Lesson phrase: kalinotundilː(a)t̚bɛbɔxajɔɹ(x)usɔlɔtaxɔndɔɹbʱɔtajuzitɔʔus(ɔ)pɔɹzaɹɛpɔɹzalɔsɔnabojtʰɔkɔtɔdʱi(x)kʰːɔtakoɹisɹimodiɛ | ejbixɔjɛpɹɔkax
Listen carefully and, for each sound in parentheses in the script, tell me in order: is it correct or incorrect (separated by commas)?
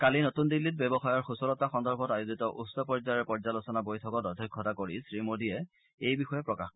incorrect, correct, correct, incorrect